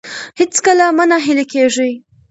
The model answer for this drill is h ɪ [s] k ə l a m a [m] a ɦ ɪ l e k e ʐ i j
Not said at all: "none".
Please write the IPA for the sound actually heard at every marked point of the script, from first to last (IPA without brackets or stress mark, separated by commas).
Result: t͡s, n